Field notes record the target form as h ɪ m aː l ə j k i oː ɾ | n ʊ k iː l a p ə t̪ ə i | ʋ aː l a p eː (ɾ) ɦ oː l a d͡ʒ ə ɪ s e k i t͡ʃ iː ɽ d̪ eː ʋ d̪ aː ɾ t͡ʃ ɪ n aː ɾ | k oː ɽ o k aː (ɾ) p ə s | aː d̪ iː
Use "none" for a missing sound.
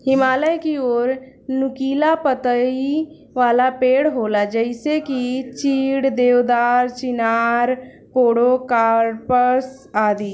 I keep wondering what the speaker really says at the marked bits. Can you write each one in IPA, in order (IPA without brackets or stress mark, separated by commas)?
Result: ɽ, ɾ